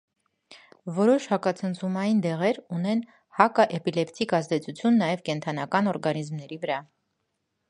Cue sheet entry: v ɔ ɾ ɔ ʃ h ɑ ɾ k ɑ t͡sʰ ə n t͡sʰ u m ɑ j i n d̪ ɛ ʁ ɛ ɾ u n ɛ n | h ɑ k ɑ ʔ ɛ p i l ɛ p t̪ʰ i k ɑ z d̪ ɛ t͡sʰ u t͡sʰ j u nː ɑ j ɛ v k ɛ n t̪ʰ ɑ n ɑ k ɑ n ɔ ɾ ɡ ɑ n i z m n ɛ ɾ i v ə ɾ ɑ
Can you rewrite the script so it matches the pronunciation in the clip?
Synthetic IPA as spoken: v ɔ ɾ ɔ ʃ h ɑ k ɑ t͡sʰ ə n t͡sʰ u m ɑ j i n d̪ ɛ ʁ ɛ ɾ u n ɛ n | h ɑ k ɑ ʔ ɛ p i l ɛ p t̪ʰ i k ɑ z d̪ ɛ t͡sʰ u t͡sʰ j u nː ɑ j ɛ v k ɛ n t̪ʰ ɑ n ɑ k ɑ n ɔ ɾ ɡ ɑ n i z m n ɛ ɾ i v ə ɾ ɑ